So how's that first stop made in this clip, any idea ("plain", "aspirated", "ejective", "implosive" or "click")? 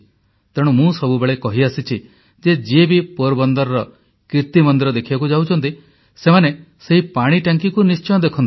plain